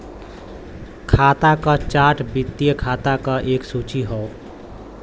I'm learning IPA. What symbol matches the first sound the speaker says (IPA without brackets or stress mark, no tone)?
kʰ